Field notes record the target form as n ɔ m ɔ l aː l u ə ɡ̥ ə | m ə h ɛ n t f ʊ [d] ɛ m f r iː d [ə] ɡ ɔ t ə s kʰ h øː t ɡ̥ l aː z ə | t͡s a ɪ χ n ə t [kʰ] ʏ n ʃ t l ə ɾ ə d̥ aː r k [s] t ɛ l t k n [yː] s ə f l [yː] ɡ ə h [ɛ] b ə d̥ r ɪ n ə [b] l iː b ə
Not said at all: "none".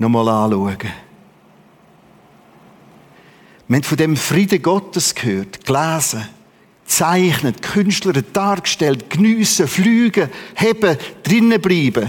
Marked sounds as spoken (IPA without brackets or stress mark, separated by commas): d, ə, kʰ, ʃ, yː, yː, ɛ, b